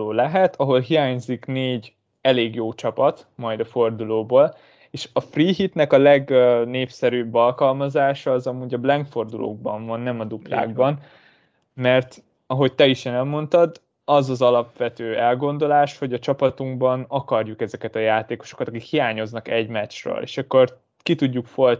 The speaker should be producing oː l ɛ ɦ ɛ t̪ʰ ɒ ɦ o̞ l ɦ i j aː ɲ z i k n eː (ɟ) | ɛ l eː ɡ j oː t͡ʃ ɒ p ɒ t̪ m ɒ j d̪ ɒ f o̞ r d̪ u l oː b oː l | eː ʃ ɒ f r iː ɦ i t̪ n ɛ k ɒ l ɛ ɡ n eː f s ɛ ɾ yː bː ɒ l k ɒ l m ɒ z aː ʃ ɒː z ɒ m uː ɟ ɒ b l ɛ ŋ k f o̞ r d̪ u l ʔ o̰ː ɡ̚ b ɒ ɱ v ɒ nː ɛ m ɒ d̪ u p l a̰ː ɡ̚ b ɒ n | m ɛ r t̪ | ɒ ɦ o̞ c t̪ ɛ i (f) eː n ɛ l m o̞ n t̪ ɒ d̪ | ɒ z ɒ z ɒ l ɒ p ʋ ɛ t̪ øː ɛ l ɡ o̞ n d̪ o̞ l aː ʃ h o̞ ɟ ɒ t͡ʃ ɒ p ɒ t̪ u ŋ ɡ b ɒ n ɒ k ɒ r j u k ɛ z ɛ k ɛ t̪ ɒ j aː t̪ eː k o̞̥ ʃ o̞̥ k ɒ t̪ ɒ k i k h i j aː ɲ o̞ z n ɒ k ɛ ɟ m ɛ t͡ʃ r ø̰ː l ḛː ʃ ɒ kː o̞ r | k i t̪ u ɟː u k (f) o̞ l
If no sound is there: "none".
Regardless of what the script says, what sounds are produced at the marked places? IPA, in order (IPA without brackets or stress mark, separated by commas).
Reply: ɟ, ʃ, f